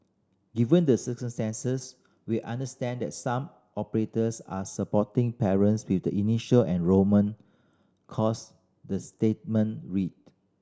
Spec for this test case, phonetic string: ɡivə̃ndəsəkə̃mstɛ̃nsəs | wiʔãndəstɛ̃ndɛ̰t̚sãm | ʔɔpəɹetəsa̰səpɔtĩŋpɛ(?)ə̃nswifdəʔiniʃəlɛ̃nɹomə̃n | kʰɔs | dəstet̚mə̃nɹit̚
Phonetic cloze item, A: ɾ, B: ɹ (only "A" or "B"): B